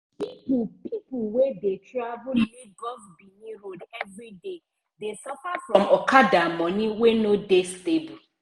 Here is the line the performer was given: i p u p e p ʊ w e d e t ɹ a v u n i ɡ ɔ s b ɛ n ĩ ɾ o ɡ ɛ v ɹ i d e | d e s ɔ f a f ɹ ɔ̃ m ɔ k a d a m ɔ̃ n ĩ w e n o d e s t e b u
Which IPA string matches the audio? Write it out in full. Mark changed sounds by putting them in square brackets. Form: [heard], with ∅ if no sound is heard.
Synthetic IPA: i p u p [i] p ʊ w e d e t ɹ a v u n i ɡ ɔ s b [i] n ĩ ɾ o [d] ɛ v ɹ i d e | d e s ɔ f a f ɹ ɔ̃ m ɔ k a d a m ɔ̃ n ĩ w e n o d e s t e b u